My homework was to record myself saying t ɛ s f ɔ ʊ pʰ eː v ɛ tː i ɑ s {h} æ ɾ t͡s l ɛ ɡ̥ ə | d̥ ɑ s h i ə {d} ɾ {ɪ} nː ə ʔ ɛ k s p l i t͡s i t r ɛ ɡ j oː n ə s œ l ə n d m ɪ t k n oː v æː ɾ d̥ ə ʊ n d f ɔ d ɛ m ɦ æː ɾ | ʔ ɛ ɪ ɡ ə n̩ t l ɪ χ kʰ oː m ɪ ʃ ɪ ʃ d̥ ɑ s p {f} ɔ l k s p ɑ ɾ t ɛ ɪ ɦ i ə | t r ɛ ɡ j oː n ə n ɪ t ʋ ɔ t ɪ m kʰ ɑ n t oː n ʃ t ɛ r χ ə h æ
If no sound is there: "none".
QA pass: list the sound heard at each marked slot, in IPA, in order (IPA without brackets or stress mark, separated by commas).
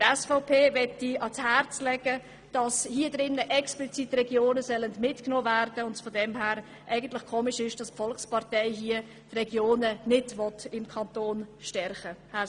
h, d, ɪ, f